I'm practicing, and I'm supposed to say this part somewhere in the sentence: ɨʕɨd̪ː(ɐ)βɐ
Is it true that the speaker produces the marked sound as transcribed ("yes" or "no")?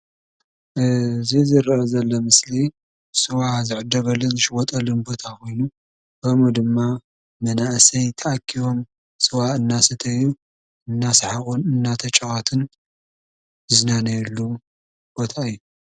yes